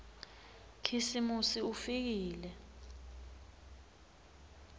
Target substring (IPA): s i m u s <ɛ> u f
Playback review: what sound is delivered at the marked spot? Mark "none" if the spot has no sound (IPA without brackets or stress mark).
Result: i